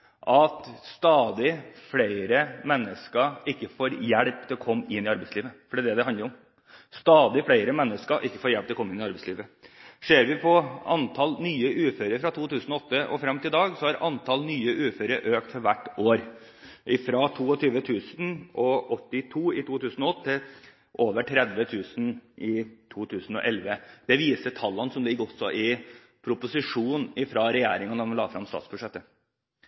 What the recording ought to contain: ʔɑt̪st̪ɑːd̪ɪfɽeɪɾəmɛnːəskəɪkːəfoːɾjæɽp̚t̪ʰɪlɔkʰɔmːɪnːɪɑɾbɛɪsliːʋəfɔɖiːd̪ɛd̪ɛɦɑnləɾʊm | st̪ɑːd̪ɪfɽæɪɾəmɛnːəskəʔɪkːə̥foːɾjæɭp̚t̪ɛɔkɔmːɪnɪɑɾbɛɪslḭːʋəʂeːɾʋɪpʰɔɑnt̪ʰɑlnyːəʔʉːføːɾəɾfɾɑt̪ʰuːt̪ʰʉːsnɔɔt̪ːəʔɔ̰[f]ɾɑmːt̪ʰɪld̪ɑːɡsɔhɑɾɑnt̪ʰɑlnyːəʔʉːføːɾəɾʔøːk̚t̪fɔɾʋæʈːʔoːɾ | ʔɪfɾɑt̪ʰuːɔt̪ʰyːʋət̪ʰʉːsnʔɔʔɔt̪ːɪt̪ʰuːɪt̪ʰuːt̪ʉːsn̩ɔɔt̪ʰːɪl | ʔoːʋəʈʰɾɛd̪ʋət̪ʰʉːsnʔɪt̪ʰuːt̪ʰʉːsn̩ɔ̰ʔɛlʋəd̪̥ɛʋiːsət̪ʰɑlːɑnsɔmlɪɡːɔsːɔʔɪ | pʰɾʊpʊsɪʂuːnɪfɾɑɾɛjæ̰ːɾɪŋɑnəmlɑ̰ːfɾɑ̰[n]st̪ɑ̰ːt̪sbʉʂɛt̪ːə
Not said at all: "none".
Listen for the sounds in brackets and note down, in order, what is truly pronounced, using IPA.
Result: f, m

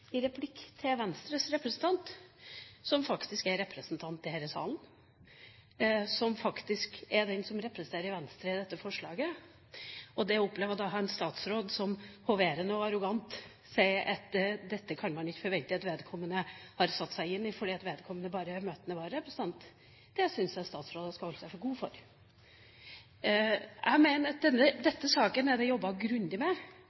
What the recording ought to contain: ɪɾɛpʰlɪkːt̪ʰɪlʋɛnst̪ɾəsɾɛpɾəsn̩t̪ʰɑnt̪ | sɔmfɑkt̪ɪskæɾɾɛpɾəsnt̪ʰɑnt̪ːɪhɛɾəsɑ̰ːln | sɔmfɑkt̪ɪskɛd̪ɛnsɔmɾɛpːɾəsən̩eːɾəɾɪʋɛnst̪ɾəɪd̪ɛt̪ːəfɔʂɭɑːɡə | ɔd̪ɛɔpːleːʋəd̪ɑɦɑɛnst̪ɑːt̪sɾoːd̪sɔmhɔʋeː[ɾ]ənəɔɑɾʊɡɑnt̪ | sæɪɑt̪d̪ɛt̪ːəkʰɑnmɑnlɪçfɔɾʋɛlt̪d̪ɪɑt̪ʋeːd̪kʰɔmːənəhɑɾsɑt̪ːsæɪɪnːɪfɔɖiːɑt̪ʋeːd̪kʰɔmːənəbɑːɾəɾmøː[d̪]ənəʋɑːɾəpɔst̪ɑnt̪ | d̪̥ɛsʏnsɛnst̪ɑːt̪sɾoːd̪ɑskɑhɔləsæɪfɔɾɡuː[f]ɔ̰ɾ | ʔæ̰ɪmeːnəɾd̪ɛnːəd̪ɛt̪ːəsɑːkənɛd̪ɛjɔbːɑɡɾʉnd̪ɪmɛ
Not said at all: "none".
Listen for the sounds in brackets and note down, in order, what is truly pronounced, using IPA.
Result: ɾ, t̪, f

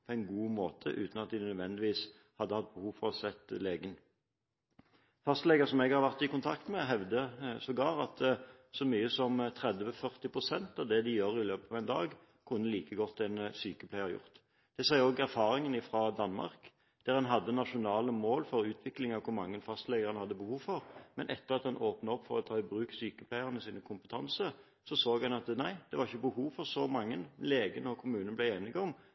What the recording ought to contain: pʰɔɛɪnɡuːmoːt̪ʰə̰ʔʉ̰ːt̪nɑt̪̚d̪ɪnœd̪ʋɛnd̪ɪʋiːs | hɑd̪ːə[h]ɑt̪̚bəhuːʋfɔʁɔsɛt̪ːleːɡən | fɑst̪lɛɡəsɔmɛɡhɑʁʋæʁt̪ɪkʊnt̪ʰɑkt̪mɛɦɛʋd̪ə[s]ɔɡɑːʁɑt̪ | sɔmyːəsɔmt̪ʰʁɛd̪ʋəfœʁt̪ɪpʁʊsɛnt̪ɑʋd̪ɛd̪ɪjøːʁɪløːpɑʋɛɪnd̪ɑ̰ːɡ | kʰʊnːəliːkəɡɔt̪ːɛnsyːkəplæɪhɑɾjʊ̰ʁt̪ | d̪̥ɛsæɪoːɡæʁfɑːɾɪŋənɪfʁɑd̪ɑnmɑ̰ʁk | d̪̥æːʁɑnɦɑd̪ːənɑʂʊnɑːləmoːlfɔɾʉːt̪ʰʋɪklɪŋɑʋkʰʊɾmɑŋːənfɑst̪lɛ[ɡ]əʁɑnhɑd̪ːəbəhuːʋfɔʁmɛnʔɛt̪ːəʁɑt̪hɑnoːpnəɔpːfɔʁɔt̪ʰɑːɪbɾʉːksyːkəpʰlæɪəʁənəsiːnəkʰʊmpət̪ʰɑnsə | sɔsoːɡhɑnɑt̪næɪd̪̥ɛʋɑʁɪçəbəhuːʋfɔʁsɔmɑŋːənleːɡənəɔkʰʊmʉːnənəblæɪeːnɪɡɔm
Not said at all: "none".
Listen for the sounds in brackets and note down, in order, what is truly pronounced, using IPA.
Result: h, s, ɡ

